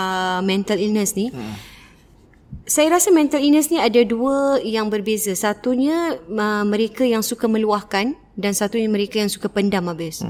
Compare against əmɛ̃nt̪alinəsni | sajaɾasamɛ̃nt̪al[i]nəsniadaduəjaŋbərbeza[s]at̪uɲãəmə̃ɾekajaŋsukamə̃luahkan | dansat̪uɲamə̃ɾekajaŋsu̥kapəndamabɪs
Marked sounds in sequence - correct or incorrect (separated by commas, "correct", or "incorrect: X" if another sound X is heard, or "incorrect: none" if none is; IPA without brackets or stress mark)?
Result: correct, correct